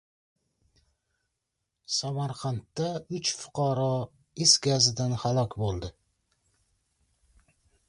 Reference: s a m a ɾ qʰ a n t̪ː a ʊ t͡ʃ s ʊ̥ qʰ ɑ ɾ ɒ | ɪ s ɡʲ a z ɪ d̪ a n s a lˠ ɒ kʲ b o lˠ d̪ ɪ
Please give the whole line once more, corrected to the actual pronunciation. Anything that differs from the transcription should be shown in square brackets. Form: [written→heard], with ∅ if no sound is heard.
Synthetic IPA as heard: s a m a ɾ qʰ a n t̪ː a ʊ t͡ʃ [s→f] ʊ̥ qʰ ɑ ɾ ɒ | ɪ s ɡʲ a z ɪ d̪ a n [s→h] a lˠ ɒ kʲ b o lˠ d̪ ɪ